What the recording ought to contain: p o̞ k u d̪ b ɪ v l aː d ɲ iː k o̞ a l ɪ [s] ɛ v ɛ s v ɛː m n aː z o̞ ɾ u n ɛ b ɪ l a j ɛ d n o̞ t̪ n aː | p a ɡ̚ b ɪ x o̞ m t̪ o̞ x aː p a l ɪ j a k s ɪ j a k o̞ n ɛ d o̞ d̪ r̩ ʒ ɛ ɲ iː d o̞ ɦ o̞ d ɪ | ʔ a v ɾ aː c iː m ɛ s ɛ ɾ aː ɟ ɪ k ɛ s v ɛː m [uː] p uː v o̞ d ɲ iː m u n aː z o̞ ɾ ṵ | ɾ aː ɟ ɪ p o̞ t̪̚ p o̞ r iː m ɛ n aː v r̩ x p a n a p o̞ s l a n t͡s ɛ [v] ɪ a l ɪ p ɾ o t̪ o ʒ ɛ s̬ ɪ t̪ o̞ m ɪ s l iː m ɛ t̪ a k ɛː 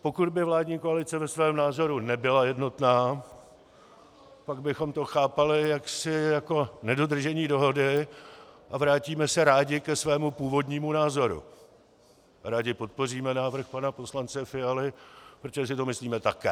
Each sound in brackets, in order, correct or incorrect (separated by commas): incorrect, incorrect, incorrect